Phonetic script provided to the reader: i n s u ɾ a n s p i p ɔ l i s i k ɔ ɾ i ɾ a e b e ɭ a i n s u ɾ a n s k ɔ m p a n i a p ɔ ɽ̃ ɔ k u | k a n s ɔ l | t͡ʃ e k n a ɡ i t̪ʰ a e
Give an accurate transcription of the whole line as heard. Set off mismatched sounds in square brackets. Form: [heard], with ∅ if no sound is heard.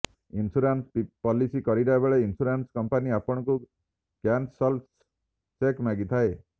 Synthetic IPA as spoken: i n s u ɾ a n s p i p ɔ l i s i k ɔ ɾ i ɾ a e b e ɭ [e] i n s u ɾ a n s k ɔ m p a n i a p ɔ ɽ̃ ɔ k u | k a n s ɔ l | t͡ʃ e k [m] a ɡ i t̪ʰ a e